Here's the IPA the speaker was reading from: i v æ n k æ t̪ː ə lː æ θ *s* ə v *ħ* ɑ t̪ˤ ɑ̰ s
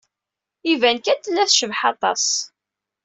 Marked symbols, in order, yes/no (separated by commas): no, yes